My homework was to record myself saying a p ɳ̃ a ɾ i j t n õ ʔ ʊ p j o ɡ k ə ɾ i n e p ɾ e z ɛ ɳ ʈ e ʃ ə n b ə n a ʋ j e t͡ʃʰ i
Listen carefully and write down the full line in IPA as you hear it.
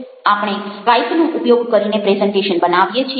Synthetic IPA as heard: a p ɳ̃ e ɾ a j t n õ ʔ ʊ p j o ɡ k ə ɾ i n e p ɾ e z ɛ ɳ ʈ e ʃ ə n b ə n a ʋ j e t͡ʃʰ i

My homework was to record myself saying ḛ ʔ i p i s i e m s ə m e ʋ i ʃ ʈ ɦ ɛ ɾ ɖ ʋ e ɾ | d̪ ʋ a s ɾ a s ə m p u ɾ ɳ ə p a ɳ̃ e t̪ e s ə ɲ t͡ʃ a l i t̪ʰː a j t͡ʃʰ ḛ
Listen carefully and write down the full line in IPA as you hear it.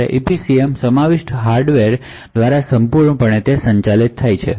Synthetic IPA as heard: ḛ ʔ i p i s i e m s ə m a ʋ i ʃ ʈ ɦ a ɾ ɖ ʋ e ɾ | d̪ ʋ a ɾ a s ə m p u ɾ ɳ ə p ə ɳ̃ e t̪ e s ə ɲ t͡ʃ a l i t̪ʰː a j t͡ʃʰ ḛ

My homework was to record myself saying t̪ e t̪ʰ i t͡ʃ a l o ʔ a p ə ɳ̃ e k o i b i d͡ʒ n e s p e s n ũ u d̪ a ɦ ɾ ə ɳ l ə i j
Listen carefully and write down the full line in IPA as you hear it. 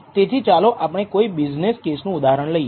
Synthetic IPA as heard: t̪ e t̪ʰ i t͡ʃ a l o ʔ a p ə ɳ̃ e k o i b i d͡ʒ n e s k e s n ũ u d̪ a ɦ ɾ ə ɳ l ə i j

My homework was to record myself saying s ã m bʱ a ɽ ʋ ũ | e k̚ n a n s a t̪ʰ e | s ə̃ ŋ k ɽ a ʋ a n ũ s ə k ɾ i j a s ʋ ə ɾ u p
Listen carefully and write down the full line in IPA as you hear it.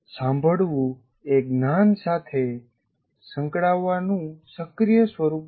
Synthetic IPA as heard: s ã m bʱ ə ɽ ʋ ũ | e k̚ n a n s a t̪ʰ e | s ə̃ ŋ k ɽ a ʋː a n ũ s ə k ɾ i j ə s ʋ ə ɾ u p

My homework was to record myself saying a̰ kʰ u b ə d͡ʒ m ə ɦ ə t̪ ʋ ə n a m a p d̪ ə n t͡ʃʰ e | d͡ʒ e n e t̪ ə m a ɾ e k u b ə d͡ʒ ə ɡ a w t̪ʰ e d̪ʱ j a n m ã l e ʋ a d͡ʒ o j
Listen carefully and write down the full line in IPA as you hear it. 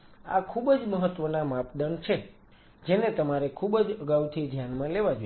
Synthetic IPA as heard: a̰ kʰ u b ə d͡ʒ m ə ɦ ə t̪ ʋ ə n a m a p d̪ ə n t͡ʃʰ e | d͡ʒ e n e t̪ ə m a ɾ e kʰ u b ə d͡ʒ ə ɡ a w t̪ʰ i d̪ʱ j a n m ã l e ʋ a d͡ʒ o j

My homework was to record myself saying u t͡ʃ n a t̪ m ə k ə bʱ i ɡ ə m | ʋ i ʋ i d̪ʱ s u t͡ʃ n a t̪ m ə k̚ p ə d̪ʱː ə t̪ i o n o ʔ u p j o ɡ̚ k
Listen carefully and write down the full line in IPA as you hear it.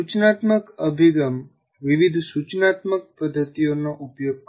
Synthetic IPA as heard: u t͡ʃ n a t̪ m ə k ə bʱ i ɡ ə m | ʋ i ʋ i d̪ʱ s u t͡ʃ n a t̪ m ə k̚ p ə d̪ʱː ə t̪ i o n o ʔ u p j o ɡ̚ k

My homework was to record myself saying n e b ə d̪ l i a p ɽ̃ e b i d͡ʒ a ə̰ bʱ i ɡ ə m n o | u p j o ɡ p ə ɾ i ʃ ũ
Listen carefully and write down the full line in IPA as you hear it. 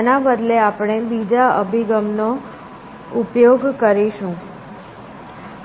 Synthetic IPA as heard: n a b ə d̪ l e a p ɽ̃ e b i d͡ʒ a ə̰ bʱ i ɡ ə m n o | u p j o ɡ k ə ɾ i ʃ ũ

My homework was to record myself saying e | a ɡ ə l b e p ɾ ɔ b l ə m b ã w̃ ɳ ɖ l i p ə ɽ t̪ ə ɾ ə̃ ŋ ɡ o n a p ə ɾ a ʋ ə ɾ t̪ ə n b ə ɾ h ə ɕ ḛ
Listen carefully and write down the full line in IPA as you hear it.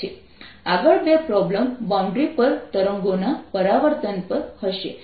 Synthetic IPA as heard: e | a ɡ ə ɭ b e p ɾ ɔ b l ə m b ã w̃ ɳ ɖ ɾ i p ə ɾ t̪ ə ɾ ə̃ ŋ ɡ o n a p ə ɾ a ʋ ə ɾ t̪ ə n p ə ɾ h ə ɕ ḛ

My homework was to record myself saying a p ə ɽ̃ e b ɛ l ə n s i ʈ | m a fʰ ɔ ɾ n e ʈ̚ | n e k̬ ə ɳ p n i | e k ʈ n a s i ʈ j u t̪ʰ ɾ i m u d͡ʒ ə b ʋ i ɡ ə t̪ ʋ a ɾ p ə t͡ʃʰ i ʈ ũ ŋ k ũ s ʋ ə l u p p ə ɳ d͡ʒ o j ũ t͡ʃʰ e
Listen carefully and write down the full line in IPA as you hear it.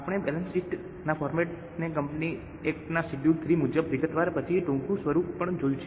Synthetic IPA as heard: a p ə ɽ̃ e b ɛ l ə n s i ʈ | n a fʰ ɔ ɾ m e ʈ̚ | n e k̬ ə m p n i | e k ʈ n a s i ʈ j u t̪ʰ ɾ i m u d͡ʒ ə b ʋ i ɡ ə t̪ ʋ a ɾ p ə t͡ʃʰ i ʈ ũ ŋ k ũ s ʋ ə ɾ u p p ə ɳ d͡ʒ o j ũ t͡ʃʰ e

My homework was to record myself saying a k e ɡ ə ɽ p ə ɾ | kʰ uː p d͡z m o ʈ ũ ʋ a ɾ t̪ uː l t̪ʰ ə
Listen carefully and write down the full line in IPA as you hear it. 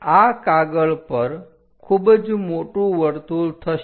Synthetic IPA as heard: a k a ɡ ə ɭ p ə ɾ | kʰ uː b d͡z m o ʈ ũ ʋ ə ɾ t̪ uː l t̪ʰ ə

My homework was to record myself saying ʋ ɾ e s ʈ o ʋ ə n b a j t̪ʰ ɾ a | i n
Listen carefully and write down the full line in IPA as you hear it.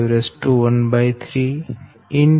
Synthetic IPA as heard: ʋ ɾ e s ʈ u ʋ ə n b a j t̪ʰ ɾ i | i n

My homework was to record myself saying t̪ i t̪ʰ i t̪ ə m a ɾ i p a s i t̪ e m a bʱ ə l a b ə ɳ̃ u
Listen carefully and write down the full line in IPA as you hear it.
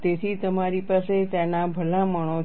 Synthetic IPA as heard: t̪ e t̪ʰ i t̪ ə m a ɾ i p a s e t̪ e n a bʱ ə l a m ə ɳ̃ o

